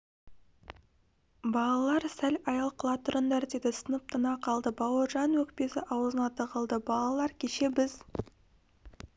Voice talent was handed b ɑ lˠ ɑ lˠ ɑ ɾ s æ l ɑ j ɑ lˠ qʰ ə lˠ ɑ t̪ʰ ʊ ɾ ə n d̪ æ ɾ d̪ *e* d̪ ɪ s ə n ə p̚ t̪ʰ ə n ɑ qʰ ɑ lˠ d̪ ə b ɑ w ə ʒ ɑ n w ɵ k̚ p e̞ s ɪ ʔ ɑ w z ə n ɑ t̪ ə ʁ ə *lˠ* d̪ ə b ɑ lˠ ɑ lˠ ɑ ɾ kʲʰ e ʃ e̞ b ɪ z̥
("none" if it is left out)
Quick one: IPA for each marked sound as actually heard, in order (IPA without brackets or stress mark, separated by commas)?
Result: e, lˠ